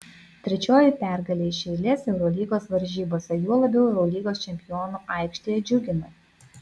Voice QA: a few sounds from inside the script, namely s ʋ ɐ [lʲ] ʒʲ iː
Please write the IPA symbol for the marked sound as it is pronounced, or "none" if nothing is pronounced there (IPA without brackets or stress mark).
ɾʲ